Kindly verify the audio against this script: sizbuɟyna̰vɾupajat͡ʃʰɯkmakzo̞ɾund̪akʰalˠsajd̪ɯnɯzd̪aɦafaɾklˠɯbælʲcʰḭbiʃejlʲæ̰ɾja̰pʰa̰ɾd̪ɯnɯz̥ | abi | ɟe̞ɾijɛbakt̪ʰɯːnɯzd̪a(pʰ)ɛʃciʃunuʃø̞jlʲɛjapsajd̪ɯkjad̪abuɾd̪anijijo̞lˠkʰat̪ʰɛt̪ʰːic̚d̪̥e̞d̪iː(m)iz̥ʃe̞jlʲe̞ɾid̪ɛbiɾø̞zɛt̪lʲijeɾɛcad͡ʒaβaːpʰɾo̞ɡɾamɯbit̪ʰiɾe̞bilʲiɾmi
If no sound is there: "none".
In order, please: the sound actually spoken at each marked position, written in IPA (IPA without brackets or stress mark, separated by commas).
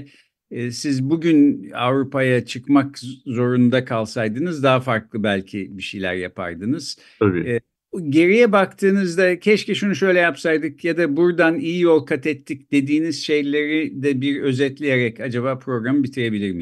cʰ, n